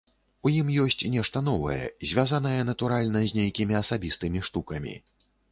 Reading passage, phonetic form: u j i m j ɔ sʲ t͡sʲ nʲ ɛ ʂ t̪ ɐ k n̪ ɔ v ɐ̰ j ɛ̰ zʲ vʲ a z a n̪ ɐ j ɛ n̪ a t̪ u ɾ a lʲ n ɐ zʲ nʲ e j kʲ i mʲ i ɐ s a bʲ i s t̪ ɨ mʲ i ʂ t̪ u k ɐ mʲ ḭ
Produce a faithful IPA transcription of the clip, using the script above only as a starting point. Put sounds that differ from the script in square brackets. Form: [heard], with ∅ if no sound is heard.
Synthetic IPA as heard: u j i m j ɔ sʲ t͡sʲ nʲ ɛ ʂ t̪ ɐ [∅] n̪ ɔ v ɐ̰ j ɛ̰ zʲ vʲ a z a n̪ ɐ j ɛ n̪ [ɐ] t̪ u ɾ a lʲ n ɐ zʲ nʲ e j kʲ i mʲ i ɐ s a bʲ i s t̪ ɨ mʲ i ʂ t̪ u k ɐ mʲ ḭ